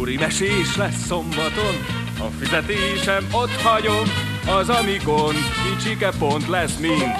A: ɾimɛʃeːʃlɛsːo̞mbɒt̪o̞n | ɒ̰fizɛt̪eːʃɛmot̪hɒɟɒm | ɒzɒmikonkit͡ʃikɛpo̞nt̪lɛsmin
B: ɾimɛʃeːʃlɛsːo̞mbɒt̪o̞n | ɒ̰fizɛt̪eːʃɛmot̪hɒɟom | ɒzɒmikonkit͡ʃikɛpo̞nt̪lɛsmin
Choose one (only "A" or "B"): B